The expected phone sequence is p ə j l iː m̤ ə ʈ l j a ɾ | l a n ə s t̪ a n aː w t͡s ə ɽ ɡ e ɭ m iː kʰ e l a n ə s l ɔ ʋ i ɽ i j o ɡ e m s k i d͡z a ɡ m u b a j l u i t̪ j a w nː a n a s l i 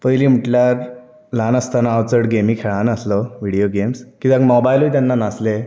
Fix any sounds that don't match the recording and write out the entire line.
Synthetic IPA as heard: p ə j l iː m̤ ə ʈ l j a ɾ | l a n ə s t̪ a n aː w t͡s ə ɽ ɡ e m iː kʰ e ɭ a n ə s l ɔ ʋ i ɽ i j o ɡ e m s k i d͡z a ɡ m ɔ b a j l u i t̪ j a nː a n a s l e